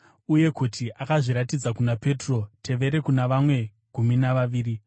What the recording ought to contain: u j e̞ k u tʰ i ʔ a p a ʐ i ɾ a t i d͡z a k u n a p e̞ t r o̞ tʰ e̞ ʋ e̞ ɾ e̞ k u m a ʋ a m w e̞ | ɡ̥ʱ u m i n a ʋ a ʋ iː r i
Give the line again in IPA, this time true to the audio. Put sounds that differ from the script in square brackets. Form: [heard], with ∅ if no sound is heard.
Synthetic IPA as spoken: u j e̞ k u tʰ i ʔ a [k] a ʐ i ɾ a t i d͡z a k u n a p e̞ t r o̞ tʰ e̞ ʋ e̞ ɾ e̞ k u [n] a ʋ a m w e̞ | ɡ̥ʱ u m i n a ʋ a ʋ iː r i